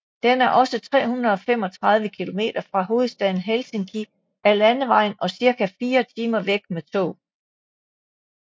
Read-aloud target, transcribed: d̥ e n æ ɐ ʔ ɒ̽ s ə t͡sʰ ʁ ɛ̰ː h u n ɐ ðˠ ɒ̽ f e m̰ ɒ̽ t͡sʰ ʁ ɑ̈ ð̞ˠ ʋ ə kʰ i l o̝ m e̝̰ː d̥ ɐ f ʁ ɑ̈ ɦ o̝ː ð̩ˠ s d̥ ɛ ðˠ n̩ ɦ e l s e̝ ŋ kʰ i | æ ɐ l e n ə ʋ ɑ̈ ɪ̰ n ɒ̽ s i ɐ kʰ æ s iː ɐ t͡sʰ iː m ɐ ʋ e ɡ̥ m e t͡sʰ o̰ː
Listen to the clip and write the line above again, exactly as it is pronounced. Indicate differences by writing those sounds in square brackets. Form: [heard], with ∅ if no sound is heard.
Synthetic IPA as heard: d̥ e n æ ɐ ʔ ɒ̽ s ə t͡sʰ ʁ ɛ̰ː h u n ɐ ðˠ ɒ̽ f e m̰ ɒ̽ t͡sʰ ʁ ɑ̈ ð̞ˠ ʋ ə kʰ i l o̝ m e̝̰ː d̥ ɐ f ʁ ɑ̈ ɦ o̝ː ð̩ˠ s d̥ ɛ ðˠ n̩ ɦ e l s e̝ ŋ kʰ i | æ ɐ l [æ] n ə ʋ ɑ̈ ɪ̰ n ɒ̽ s i ɐ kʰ æ [f] iː ɐ t͡sʰ iː m ɐ ʋ e ɡ̥ m e t͡sʰ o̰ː

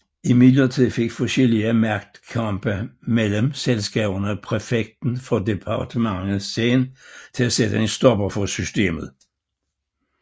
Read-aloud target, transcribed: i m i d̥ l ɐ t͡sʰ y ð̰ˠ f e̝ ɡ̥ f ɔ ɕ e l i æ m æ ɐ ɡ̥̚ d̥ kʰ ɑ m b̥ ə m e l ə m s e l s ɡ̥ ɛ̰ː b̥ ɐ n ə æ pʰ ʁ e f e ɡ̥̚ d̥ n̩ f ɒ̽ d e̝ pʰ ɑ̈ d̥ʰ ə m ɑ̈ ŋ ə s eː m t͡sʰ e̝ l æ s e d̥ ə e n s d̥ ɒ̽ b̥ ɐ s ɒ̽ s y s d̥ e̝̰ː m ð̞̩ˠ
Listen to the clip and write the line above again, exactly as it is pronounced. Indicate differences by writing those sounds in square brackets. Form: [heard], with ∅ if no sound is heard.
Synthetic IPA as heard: i m i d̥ l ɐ t͡sʰ [i] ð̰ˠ f e̝ ɡ̥ f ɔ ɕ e l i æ m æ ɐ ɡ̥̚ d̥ kʰ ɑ m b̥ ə m e l ə m s e l s ɡ̥ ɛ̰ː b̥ ɐ n ə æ pʰ ʁ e f e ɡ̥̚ d̥ n̩ f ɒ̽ d e̝ pʰ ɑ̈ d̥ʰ ə m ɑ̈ ŋ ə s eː [n] t͡sʰ e̝ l æ s e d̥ ə e n s d̥ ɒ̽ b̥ ɐ [f] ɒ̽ s y s d̥ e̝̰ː m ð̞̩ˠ

